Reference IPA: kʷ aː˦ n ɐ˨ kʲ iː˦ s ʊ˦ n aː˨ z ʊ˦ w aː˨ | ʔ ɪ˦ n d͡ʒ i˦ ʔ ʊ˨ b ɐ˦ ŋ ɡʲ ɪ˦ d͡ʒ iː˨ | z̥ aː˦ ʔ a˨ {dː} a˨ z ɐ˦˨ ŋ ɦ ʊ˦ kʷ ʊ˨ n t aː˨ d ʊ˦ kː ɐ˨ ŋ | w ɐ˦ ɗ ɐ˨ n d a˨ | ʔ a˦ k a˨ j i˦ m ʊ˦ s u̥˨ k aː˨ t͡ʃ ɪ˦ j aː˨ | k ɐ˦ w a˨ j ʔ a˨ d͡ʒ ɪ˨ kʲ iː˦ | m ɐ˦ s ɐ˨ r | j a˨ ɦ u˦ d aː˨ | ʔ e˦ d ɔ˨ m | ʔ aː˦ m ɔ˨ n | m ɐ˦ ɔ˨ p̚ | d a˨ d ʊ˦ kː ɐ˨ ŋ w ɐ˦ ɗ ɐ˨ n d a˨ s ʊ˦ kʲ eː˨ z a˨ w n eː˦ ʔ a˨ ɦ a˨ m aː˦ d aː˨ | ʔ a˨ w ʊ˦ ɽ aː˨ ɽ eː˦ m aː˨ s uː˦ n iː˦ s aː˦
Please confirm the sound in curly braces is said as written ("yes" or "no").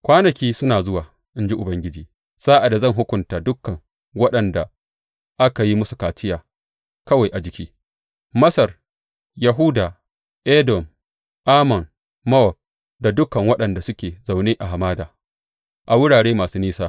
no